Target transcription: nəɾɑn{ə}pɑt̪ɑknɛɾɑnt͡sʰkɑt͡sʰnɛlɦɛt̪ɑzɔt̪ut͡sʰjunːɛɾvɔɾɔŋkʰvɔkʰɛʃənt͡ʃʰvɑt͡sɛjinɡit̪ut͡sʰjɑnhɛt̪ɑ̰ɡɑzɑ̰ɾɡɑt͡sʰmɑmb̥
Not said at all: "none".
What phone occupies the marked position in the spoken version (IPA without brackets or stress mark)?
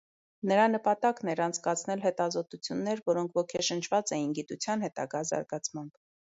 ə